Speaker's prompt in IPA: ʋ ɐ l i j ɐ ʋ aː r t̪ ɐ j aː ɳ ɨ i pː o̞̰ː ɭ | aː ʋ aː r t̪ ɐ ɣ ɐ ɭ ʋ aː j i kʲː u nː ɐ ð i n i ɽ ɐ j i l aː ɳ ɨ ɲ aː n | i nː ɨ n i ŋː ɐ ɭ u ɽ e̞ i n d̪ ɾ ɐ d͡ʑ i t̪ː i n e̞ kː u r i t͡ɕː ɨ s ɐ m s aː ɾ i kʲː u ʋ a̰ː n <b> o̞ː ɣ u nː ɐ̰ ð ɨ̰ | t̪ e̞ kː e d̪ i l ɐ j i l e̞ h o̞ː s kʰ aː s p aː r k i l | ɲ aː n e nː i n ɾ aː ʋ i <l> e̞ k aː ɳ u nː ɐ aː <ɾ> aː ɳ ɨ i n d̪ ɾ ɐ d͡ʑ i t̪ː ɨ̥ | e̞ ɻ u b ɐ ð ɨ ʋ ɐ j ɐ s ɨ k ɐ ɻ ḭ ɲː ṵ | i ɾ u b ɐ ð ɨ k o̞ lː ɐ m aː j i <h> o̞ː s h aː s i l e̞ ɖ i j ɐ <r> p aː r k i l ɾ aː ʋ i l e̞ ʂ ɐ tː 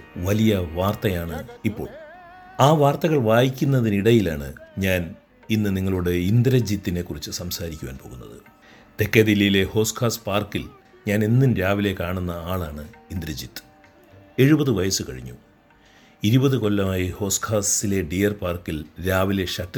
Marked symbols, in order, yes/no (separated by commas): no, yes, no, yes, yes